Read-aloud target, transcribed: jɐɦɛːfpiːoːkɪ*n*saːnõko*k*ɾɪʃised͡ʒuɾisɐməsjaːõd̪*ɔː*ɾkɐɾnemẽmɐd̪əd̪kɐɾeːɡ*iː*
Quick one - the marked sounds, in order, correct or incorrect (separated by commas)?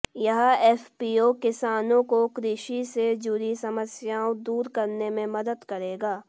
incorrect, correct, incorrect, incorrect